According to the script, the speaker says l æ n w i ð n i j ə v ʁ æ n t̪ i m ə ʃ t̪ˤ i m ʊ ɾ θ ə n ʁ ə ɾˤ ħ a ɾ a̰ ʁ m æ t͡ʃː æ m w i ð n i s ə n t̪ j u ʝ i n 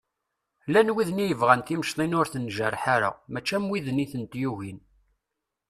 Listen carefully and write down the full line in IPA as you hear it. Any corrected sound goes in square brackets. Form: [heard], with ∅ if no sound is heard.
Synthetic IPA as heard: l æ n w i ð n i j ə v ʁ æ n t̪ i m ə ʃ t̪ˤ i [n] ʊ ɾ θ ə n [ʒ] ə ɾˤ ħ a ɾ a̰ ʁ m æ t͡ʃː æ m w i ð n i [θ] ə n t̪ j u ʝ i n